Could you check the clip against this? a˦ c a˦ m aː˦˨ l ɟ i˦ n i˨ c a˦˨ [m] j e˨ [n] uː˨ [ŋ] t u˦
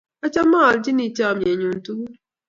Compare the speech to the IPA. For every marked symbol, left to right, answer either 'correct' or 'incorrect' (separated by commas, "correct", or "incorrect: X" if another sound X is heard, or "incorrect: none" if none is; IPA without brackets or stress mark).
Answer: correct, incorrect: ɲ, incorrect: n